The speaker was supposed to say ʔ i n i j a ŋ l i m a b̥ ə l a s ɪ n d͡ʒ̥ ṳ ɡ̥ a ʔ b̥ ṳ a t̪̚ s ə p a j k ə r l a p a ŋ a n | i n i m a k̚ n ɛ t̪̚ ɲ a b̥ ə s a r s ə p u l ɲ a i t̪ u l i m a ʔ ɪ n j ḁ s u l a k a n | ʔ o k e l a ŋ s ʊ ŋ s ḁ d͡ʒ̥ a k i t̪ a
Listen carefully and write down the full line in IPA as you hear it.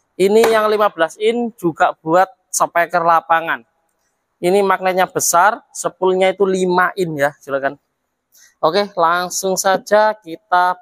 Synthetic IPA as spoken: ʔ i n i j a ŋ l i m a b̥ ə l a s ɪ n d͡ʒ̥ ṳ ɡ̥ a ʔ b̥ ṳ a t̪̚ s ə p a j k ə r l a p a ŋ a n | i n i m a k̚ n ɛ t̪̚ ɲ a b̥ ə s a r s ə p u l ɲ a i t̪ u l i m a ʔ ɪ n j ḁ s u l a k a n | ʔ o k e l a ŋ s ʊ ŋ s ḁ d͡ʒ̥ a k i t̪ a